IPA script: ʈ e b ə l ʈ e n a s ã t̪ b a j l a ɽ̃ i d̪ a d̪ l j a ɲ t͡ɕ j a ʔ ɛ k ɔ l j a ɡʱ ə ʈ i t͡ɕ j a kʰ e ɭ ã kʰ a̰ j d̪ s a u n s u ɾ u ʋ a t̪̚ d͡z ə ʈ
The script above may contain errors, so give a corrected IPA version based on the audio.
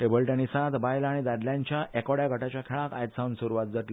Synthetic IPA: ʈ e b ə l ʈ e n i s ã t̪ b a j l a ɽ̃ i d̪ a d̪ l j a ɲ t͡ɕ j a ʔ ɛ k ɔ ɽ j a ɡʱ ə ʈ a t͡ɕ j a kʰ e ɭ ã k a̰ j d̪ s a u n s u ɾ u ʋ a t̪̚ d͡z ə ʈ